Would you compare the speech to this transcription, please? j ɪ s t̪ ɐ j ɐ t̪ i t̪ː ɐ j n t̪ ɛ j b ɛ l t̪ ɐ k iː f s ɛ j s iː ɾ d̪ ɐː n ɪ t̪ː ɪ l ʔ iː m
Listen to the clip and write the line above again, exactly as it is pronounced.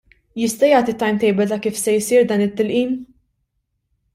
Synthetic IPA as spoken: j ɪ s t̪ ɐ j ɐː t̪ i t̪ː ɐ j m t̪ ɛ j b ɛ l t̪ ɐ k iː f s ɛ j s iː ɾ d̪ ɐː n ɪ t̪ː ɪ l ʔ iː m